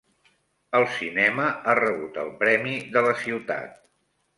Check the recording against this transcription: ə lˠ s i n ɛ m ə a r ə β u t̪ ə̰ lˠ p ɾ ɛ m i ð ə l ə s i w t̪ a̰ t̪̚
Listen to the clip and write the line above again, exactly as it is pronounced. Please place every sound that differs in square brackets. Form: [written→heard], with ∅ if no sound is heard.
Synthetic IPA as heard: ə lˠ s i n ɛ m ə a r ə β u t̪ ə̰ lˠ p ɾ ɛ m i ð ə l ə s i w t̪ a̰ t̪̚